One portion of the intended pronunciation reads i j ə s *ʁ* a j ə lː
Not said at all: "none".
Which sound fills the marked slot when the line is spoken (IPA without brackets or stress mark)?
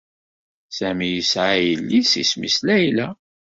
ʕ